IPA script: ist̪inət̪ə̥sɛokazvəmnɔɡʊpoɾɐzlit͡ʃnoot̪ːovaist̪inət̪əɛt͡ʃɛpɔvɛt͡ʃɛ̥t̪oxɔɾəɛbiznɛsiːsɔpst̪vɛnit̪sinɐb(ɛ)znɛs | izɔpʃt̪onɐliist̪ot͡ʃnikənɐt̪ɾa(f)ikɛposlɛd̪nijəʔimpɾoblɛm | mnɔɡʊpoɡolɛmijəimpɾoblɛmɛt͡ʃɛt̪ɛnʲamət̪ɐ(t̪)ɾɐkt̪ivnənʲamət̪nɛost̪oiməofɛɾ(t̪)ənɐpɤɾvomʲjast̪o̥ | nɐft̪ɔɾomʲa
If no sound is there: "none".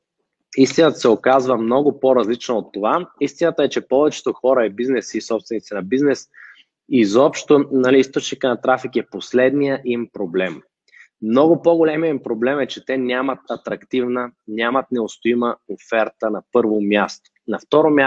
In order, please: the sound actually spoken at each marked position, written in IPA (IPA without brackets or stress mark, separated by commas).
i, f, t̪, t̪